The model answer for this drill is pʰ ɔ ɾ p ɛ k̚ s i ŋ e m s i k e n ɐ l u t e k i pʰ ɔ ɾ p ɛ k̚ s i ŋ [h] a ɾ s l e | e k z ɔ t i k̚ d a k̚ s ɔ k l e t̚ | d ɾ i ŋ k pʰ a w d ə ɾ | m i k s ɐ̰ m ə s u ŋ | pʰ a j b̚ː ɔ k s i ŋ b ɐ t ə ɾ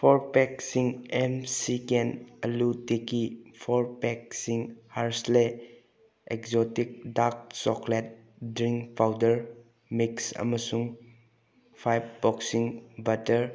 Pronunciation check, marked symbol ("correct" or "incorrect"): correct